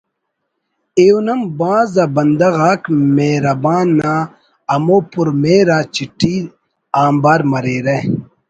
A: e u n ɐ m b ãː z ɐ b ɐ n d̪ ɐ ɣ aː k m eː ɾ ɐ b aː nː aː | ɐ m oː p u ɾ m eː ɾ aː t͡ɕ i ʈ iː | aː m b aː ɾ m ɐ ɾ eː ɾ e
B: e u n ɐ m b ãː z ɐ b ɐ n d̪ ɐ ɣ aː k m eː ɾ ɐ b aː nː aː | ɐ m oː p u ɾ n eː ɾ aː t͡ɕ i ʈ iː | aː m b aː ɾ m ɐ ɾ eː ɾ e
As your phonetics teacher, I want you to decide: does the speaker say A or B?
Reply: A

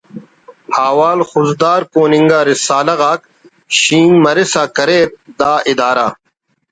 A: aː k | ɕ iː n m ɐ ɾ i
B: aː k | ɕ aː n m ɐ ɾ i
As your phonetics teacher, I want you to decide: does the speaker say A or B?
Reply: A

